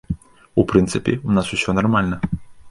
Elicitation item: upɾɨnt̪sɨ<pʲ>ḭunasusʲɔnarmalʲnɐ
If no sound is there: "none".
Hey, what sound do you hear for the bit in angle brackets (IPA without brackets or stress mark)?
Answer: pʲ